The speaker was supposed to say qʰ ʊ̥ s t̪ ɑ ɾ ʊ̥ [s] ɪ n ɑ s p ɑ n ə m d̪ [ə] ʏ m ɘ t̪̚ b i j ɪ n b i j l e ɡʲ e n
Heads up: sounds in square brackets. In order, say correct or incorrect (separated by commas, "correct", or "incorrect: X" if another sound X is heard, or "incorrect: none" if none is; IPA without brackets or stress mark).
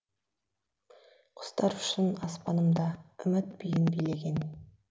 incorrect: ʃ, incorrect: ɑ